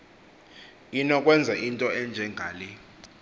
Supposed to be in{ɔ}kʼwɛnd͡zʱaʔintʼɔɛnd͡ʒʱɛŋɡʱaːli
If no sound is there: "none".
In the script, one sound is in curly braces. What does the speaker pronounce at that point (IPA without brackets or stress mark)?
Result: ɔ